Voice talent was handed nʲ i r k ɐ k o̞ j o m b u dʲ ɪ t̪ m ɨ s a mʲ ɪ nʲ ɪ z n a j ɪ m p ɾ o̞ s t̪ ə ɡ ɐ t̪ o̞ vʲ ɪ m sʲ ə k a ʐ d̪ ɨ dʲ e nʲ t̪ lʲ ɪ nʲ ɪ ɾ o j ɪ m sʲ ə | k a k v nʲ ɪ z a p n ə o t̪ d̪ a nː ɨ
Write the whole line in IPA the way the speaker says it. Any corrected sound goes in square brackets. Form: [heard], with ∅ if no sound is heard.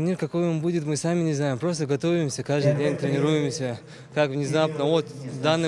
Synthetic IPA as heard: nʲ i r k ɐ k o̞ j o m b u dʲ ɪ t̪ m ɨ s a mʲ ɪ nʲ ɪ z n a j ɪ m p ɾ o̞ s t̪ ə ɡ ɐ t̪ o̞ vʲ ɪ m sʲ ə k a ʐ d̪ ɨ dʲ e nʲ t̪ [ɾʲ] ɪ nʲ ɪ ɾ [u] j ɪ m sʲ ə | k a k v nʲ ɪ z a p n ə o t̪ d̪ a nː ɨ